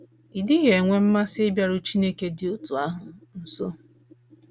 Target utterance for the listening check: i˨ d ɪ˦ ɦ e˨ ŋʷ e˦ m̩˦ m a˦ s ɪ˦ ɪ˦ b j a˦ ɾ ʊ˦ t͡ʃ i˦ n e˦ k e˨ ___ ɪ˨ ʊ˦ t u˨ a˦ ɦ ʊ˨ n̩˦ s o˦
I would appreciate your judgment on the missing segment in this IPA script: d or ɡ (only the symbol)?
d